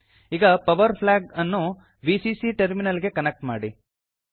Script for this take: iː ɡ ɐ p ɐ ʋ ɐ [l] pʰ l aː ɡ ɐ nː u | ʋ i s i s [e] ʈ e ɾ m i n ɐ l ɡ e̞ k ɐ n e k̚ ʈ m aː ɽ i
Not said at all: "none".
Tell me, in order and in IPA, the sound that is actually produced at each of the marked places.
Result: ɾ, i

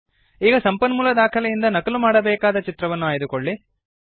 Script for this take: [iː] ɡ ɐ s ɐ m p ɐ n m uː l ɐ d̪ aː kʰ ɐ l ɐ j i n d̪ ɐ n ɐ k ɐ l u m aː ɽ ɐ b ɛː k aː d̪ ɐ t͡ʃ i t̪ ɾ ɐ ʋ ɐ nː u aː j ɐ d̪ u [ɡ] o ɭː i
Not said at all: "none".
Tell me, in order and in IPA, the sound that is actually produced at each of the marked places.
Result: iː, k

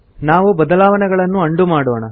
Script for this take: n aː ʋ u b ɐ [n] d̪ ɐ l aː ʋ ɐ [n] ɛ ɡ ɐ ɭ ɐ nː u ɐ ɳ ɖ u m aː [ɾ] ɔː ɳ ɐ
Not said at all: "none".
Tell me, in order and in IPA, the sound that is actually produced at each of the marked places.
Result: none, n, ɽ

